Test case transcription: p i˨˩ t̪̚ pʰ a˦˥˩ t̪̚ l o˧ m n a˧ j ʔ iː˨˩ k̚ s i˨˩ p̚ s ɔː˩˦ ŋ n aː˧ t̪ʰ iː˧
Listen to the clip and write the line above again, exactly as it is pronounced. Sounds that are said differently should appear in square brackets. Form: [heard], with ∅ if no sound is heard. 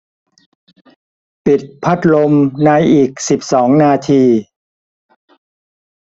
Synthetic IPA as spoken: p i˨˩ t̪̚ pʰ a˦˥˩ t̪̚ l o˧ m n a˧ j ʔ iː˨˩ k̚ s i˨˩ p̚ s ɔː˩˦ ŋ n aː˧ t̪ʰ iː˧